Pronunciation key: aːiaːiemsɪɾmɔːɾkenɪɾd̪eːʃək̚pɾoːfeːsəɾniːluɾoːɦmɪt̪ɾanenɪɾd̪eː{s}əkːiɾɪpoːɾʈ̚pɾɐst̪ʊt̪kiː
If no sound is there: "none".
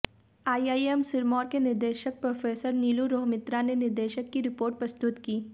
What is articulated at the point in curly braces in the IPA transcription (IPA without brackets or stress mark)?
ʃ